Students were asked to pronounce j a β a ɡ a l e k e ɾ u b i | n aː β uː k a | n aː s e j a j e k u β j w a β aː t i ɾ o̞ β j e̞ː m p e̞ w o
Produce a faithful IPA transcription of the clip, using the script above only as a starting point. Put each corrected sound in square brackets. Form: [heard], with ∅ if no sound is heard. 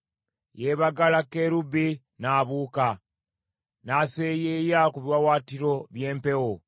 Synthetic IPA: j [e] β a ɡ a l [a] k e ɾ u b i | n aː β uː k a | n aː s e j [e] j [a] k u β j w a [w] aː t i ɾ o̞ β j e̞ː m p e̞ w o

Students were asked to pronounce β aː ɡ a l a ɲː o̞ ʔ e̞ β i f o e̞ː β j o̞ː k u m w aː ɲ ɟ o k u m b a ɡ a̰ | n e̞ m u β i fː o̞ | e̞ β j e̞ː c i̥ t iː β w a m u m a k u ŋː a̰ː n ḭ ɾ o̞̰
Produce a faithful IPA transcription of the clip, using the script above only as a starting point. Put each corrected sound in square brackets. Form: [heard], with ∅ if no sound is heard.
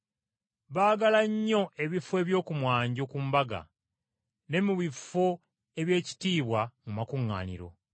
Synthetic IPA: β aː ɡ a l a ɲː o̞ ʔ e̞ β i f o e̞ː β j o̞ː k u m w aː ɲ ɟ o k u m b a ɡ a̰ | n e̞ m u β i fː o̞ | e̞ β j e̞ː c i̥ t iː β w a m u m a k u ŋː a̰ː n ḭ ɾ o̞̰

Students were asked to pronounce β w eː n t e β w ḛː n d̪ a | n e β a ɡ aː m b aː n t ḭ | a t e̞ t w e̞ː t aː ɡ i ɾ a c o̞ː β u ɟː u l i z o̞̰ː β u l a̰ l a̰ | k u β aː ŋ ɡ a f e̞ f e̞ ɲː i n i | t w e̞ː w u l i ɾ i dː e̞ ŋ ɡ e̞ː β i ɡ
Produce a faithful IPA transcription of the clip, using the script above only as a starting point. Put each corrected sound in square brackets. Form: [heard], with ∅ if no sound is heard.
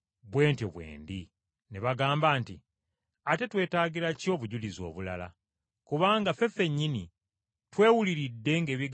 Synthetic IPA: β w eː n t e β w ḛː n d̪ [i] | n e β a ɡ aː m b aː n t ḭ | a t e̞ t w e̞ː t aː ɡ i ɾ a c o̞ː β u [ɟ] u l i z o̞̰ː β u l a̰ l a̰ | k u β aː ŋ ɡ a f e̞ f e̞ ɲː i n i | t w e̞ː w u l i ɾ i dː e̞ ŋ ɡ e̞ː β i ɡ

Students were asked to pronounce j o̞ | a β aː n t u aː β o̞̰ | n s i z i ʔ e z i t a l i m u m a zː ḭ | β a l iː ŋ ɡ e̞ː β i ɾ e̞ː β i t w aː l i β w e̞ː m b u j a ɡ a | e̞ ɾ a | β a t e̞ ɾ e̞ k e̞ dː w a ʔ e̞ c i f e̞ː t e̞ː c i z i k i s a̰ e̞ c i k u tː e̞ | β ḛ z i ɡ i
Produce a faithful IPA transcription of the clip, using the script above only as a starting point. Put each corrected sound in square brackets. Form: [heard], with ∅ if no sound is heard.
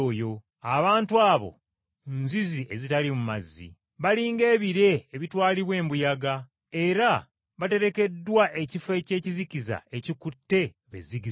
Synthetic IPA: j o̞ | a β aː n t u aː β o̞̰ | n [z] i z i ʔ e z i t a l i m u m a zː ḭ | β a l iː ŋ ɡ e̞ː β i ɾ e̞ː β i t w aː l i β w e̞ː m b u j a ɡ a | e̞ ɾ a | β a t e̞ ɾ e̞ k e̞ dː w a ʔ e̞ c i f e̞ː [c] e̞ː c i z i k i [z] a̰ e̞ c i k u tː e̞ | β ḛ z i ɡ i

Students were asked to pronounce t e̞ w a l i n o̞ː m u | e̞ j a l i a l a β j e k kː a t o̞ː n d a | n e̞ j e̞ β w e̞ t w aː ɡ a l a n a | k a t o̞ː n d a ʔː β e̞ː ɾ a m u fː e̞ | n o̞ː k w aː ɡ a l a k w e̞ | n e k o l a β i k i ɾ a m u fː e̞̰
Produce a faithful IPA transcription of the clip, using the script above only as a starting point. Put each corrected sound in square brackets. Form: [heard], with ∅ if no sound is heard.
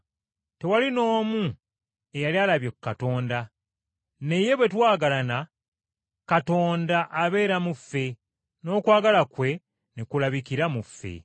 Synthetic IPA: t e̞ w a l i n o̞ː m u | e̞ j a l i a l a β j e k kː a t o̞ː n d a | n e̞ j e̞ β w e̞ t w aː ɡ a l a n a | k a t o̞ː n d a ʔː β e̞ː ɾ a m u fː e̞ | n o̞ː k w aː ɡ a l a k w e̞ | n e k [u] l a β i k i ɾ a m u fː e̞̰

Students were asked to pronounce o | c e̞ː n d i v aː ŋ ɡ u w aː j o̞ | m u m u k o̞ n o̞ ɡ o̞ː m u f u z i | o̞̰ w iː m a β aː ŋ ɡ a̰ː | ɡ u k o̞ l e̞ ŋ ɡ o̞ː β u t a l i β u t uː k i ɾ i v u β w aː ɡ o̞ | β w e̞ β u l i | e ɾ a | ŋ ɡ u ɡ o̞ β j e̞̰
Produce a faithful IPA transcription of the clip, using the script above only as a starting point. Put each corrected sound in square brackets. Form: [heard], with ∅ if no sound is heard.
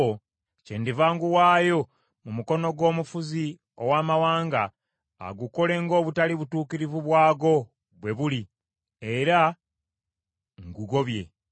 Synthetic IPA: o | c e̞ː n d i v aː ŋ ɡ u w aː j o̞ | m u m u k o̞ n o̞ ɡ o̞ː m u f u z i | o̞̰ w [aː] m a [w] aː ŋ ɡ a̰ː | ɡ u k o̞ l e̞ ŋ ɡ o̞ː β u t a l i β u t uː k i ɾ i v u β w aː ɡ o̞ | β w e̞ β u l i | e ɾ a | ŋ ɡ u ɡ o̞ β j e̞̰

